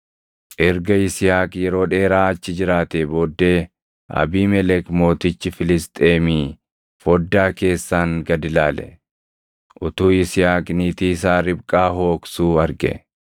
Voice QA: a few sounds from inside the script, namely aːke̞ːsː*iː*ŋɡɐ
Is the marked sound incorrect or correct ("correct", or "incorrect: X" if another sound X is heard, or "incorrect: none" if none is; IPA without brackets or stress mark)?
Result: incorrect: aː